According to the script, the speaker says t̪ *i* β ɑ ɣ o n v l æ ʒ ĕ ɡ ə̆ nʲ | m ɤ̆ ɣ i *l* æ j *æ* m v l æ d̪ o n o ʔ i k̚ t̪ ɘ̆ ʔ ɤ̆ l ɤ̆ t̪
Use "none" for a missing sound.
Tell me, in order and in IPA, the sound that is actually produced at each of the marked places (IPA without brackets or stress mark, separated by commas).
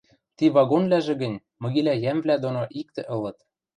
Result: i, l, æ